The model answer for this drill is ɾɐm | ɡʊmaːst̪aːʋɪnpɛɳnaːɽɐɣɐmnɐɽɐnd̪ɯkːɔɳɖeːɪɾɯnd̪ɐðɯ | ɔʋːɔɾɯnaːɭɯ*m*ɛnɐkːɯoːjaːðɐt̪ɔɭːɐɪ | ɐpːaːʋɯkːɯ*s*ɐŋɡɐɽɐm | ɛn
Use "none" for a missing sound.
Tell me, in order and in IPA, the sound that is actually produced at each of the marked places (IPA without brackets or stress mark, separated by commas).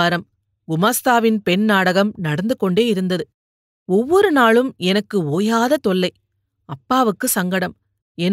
m, s